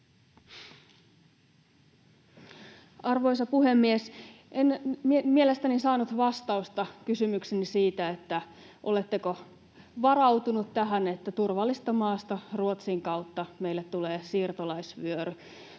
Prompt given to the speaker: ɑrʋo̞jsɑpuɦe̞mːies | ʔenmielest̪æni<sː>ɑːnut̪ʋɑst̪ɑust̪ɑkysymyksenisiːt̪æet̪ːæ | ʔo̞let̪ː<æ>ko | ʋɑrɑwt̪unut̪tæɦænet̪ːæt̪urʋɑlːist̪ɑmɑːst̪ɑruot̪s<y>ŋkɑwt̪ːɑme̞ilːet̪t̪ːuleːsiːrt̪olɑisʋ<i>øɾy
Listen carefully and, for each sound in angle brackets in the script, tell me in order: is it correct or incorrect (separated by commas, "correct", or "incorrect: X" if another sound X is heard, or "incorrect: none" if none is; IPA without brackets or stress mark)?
incorrect: s, incorrect: e, incorrect: i, incorrect: y